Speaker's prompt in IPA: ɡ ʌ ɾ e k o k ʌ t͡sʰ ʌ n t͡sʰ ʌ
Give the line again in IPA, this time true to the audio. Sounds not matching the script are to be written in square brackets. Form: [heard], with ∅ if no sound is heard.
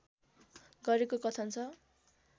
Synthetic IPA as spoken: ɡ ʌ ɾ e k o k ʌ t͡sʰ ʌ n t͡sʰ ʌ